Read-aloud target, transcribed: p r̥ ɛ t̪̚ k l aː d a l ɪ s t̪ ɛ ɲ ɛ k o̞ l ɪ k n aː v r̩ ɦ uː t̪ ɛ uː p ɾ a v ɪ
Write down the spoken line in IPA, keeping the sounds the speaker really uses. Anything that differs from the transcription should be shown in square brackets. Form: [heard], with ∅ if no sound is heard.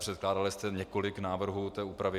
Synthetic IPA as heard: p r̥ ɛ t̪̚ k l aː d a l ɪ s t̪ ɛ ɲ ɛ k o̞ l ɪ k n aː v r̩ ɦ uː t̪ [ɛː] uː p ɾ a v ɪ